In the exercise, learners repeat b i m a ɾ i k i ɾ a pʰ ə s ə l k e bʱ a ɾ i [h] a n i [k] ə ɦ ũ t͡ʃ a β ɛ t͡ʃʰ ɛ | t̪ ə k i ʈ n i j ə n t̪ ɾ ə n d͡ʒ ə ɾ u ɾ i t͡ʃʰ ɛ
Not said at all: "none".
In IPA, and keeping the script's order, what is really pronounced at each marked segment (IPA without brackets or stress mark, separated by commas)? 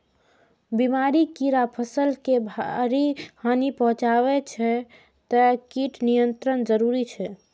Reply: h, p